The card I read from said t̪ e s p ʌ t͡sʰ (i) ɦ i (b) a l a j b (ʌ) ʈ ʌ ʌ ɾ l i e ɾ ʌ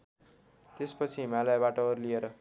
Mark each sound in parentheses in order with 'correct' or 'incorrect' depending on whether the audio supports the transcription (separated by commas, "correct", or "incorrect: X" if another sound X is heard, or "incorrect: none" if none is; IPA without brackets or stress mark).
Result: correct, incorrect: m, incorrect: a